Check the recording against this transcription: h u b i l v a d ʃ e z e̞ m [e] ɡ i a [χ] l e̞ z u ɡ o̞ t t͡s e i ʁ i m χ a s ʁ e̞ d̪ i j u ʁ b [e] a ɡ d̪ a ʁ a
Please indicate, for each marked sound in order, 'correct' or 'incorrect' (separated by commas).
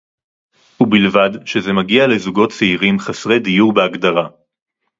incorrect, incorrect, correct